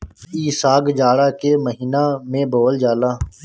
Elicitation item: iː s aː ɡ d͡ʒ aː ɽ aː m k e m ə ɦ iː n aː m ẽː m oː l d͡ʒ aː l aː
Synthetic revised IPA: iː s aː ɡ d͡ʒ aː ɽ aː k e m ə ɦ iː n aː m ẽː b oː l d͡ʒ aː l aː